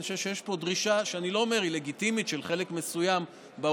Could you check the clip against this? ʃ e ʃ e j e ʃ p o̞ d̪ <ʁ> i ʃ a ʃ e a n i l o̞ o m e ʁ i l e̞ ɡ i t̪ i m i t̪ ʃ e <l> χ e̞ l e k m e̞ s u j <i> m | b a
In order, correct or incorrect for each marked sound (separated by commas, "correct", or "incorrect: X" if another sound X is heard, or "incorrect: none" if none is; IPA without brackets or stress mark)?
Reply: correct, correct, incorrect: a